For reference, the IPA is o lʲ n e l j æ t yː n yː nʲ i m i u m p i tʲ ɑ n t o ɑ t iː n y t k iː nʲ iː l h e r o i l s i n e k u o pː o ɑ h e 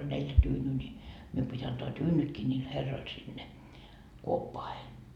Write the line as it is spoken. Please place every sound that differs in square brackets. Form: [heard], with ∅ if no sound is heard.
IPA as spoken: o lʲ n e l j æ t yː n yː nʲ i m i u m p i tʲ ɑ n t o ɑ t [yː] n y t k iː nʲ iː l h e [rː] o i l s i [nː] e k u o pː o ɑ h e